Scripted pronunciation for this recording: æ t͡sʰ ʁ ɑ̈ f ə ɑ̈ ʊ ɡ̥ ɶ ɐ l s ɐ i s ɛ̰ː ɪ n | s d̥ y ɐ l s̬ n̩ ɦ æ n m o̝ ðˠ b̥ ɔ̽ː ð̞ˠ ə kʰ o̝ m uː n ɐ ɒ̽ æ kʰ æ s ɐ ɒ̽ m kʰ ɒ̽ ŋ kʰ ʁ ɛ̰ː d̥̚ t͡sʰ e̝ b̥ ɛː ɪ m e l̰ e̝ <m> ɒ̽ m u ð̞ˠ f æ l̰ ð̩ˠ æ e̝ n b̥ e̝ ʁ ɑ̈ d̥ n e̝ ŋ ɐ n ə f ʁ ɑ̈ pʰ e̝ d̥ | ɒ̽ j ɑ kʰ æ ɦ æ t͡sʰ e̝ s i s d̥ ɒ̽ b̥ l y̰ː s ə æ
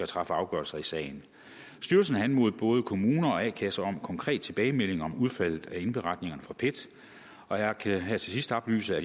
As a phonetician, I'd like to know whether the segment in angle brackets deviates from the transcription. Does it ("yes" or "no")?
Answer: yes